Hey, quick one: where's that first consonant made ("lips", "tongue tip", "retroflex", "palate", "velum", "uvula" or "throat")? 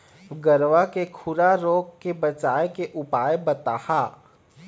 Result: velum